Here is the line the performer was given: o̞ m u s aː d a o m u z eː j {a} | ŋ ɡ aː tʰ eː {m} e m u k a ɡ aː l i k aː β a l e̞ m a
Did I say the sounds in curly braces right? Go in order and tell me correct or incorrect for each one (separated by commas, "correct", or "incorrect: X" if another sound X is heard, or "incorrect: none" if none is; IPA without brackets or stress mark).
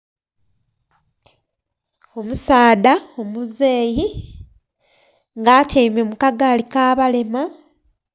incorrect: i, correct